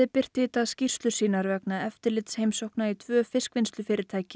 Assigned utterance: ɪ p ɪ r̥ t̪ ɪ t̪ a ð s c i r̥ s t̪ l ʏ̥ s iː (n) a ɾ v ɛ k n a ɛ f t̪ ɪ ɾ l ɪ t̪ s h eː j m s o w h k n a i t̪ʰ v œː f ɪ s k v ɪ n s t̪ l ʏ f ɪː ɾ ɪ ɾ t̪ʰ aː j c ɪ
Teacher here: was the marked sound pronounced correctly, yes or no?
yes